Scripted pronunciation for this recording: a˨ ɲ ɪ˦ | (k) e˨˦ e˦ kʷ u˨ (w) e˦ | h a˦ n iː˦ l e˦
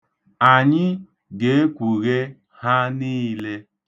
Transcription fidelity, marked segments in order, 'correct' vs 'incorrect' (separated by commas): incorrect, incorrect